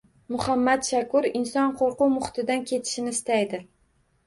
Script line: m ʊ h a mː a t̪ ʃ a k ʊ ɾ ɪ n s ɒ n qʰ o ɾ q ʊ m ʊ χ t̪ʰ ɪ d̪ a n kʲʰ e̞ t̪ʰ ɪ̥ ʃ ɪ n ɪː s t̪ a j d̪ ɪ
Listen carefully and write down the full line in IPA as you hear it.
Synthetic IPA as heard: m ʊ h a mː a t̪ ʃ a k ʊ ɾ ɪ n s ɒ n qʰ o ɾ q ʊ m ʊ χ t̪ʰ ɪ d̪ a n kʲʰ e̞ t̪ʰ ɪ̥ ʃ ɪ n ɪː s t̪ a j d̪ ɪ